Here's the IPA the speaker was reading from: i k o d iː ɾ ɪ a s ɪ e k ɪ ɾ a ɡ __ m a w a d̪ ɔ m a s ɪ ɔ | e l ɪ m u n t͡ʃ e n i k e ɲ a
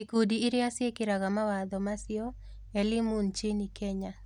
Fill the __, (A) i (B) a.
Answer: B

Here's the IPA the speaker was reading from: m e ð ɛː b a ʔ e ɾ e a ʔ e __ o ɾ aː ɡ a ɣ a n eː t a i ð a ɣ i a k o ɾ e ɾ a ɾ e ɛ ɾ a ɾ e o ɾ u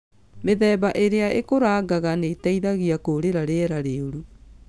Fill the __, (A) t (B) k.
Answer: B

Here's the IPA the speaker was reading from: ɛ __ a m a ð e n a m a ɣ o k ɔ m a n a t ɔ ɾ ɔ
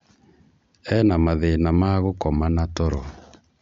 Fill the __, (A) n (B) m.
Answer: A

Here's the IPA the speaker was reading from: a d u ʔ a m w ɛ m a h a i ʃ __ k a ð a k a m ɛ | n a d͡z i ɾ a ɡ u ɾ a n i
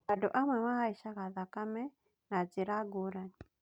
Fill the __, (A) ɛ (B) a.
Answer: B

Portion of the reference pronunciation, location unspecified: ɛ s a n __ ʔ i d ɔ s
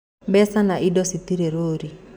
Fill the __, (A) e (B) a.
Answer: B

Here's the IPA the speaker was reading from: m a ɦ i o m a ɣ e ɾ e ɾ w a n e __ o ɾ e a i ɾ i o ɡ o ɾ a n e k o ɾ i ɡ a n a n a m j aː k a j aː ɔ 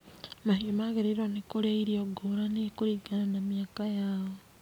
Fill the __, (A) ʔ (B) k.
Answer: B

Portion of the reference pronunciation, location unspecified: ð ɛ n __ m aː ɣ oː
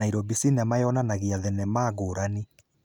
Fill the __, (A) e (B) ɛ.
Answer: B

